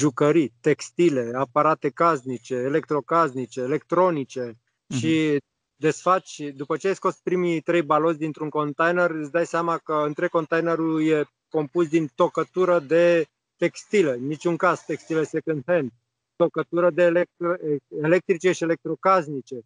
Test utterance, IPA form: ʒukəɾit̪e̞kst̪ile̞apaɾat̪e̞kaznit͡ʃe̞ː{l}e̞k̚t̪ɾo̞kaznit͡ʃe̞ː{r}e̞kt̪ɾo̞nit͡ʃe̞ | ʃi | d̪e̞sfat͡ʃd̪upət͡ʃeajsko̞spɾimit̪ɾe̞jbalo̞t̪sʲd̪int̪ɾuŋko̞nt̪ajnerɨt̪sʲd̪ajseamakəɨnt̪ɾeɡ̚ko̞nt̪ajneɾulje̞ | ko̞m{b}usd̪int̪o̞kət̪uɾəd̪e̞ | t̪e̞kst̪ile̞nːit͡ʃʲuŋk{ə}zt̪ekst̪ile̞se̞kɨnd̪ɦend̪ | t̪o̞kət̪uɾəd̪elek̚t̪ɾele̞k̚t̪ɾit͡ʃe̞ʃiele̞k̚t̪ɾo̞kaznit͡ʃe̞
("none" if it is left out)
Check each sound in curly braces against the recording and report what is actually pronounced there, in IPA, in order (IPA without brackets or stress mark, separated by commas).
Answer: l, l, p, a